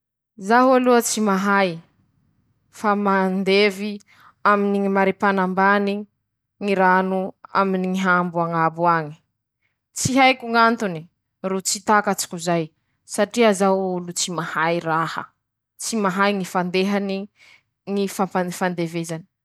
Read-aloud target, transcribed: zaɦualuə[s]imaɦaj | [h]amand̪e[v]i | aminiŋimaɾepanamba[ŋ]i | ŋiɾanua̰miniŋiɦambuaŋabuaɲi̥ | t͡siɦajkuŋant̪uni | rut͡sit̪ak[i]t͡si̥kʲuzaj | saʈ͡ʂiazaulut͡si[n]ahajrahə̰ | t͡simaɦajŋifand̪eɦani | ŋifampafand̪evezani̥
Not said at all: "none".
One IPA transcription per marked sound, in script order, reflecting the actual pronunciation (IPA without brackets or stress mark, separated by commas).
t͡s, f, v, n, a, m